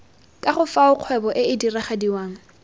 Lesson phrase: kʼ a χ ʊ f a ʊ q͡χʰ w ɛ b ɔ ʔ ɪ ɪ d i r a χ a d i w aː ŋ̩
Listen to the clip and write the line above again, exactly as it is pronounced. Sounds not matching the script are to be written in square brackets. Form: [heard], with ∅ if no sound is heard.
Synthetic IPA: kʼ a χ ʊ f a ʊ q͡χʰ w ɛ b ɔ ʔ ɪ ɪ d i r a χ a d i w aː ŋ̩